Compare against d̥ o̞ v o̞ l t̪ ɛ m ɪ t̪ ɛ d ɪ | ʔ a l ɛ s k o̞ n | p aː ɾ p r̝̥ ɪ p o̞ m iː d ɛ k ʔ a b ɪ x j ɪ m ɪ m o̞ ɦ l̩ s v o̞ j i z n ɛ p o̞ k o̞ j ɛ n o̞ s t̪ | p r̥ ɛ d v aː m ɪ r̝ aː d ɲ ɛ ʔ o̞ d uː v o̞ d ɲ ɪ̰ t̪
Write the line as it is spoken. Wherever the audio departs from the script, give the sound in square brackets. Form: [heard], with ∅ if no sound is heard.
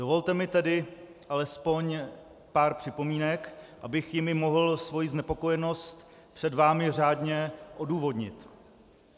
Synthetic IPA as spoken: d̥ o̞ v o̞ l t̪ ɛ m ɪ t̪ ɛ d ɪ | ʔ a l ɛ s [p] o̞ [ɲ] | p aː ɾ p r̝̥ ɪ p o̞ m iː [n] ɛ k ʔ a b ɪ x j ɪ m ɪ m o̞ ɦ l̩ s v o̞ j i z n ɛ p o̞ k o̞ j ɛ n o̞ s t̪ | p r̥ ɛ d v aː m ɪ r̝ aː d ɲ ɛ ʔ o̞ d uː v o̞ d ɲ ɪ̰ t̪